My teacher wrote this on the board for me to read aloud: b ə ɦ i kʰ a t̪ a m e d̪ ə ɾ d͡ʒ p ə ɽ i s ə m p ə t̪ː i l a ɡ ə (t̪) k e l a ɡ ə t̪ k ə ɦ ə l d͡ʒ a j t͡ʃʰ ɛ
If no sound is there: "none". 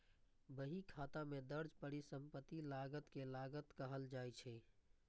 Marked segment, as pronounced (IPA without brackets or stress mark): t̪